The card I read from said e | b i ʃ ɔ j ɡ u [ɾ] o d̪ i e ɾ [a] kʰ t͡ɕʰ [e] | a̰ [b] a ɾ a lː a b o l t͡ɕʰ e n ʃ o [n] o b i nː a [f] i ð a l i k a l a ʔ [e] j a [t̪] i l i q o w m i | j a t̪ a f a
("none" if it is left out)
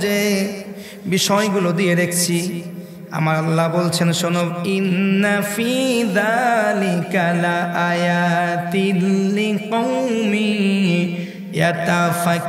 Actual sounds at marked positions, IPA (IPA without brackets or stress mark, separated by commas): l, e, i, m, n, f, a, t̪